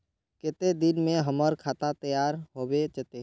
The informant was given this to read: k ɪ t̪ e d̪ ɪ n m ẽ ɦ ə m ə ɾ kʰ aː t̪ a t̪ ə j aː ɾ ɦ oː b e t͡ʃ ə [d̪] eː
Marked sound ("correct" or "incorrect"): incorrect